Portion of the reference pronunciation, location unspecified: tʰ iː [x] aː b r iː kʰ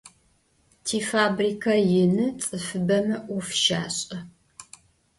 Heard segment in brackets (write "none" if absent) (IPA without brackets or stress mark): f